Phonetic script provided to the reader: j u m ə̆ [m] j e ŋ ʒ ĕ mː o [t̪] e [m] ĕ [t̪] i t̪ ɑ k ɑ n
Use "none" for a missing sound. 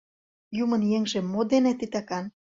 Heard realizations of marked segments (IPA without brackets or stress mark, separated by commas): n, d̪, n, t̪